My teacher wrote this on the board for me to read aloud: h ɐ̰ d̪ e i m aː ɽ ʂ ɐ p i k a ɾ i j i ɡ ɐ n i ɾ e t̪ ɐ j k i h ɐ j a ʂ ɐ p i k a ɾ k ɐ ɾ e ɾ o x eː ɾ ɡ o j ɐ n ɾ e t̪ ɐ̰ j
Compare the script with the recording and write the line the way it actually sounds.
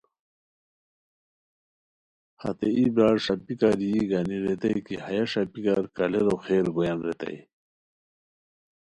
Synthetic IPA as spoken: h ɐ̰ t̪ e i b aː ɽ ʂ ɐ p i k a ɾ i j i ɡ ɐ n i ɾ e t̪ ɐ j k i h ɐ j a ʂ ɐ p i k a ɾ k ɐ l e ɾ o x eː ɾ ɡ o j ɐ n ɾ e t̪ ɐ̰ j

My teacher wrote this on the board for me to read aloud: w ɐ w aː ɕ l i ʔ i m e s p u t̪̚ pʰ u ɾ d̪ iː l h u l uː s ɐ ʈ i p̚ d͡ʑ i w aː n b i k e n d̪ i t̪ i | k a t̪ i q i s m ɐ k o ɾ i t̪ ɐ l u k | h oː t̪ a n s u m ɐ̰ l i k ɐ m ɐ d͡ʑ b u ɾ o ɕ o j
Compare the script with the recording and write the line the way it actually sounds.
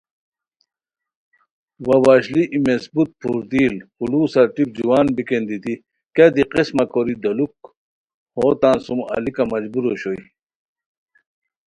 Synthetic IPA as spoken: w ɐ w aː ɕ l i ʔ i m e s b u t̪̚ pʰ u ɾ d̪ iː l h u l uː s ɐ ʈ i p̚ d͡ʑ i w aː n b i k e n d̪ i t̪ i | k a d̪ i q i s m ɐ k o ɾ i d̪ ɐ l u k | h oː t̪ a n s u m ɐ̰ l i k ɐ m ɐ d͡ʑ b u ɾ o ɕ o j

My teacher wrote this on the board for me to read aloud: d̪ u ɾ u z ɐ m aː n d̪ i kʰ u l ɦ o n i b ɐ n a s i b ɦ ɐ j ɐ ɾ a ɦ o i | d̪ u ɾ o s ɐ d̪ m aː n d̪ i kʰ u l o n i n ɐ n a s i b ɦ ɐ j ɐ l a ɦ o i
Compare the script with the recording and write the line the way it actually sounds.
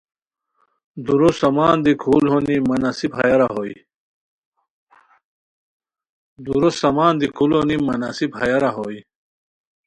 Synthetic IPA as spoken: d̪ u ɾ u s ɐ m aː n d̪ i kʰ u l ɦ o n i m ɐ n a s i b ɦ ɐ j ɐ ɾ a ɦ o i | d̪ u ɾ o s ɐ m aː n d̪ i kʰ u l o n i m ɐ n a s i b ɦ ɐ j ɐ ɾ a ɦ o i

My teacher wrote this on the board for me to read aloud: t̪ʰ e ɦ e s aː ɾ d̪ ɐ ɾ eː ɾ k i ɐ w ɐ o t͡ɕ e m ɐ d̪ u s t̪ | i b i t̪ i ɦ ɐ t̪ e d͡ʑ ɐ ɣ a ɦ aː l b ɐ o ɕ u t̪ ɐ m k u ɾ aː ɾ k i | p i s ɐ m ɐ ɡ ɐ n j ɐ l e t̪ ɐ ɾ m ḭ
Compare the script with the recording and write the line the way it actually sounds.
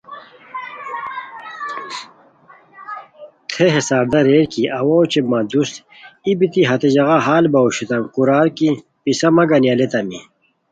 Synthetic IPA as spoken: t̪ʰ e ɦ e s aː ɾ d̪ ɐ ɾ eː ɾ k i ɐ w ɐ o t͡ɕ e m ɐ d̪ u s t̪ | i b i t̪ i ɦ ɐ t̪ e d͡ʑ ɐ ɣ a ɦ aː l b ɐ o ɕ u t̪ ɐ m k u ɾ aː ɾ k i | p i s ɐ m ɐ ɡ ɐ n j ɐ l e t̪ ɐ m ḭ

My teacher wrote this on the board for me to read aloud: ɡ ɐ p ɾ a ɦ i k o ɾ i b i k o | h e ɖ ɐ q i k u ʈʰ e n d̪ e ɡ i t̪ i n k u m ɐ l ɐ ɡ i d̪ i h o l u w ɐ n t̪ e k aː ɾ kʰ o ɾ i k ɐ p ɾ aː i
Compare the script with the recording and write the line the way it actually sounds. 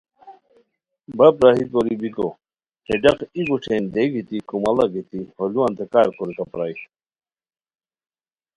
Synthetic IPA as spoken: b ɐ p ɾ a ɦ i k o ɾ i b i k o | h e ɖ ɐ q i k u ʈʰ e n d̪ e ɡ i t̪ i k u m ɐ l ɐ ɡ i t̪ i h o l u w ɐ n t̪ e k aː ɾ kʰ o ɾ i k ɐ p ɾ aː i

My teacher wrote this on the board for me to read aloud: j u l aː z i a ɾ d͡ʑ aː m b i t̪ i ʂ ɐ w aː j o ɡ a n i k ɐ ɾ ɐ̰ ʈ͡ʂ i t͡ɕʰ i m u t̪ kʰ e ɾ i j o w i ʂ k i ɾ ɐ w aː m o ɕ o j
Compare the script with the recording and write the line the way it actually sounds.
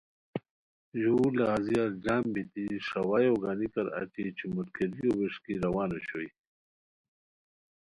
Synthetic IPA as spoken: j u l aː z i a ɾ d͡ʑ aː m b i t̪ i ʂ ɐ w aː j o ɡ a n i k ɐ ɾ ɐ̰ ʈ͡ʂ i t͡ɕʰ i m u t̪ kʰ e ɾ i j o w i ʂ k i ɾ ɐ w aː n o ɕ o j

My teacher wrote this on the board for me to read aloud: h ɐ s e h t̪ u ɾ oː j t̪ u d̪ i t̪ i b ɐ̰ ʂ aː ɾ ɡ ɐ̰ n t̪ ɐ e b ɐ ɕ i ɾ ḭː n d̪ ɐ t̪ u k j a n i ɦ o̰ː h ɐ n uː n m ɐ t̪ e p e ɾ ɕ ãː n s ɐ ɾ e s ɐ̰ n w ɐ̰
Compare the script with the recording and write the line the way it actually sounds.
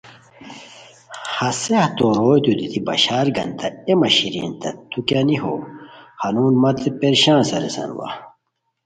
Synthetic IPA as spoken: h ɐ s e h t̪ o ɾ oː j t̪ u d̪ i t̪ i b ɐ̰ ɕ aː ɾ ɡ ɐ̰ n t̪ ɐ e m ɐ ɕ i ɾ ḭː n t̪ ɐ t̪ u k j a n i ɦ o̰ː h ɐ n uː n m ɐ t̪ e p e ɾ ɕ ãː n s ɐ ɾ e s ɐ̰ n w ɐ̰

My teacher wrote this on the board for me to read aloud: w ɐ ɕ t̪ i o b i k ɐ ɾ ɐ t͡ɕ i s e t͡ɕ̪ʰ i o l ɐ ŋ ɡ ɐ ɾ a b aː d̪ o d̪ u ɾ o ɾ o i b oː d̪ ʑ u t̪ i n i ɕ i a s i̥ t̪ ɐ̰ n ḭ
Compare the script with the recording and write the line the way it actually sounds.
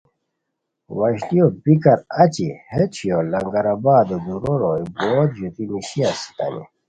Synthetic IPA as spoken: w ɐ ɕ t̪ i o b i k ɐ ɾ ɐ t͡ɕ i h e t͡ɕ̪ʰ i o l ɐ ŋ ɡ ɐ ɾ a b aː d̪ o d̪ u ɾ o ɾ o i b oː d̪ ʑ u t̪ i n i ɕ i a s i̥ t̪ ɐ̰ n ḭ

